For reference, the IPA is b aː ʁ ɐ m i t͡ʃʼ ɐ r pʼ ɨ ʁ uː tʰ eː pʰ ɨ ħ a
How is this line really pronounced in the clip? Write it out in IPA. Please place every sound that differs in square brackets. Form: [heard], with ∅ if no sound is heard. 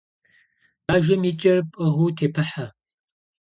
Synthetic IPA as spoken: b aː [ʒ] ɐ m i t͡ʃʼ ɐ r pʼ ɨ ʁ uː tʰ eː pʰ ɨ ħ a